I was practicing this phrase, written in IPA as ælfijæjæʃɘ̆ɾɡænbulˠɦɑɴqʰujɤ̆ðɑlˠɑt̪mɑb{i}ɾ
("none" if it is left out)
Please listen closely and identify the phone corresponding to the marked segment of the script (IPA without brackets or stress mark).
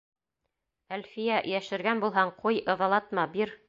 i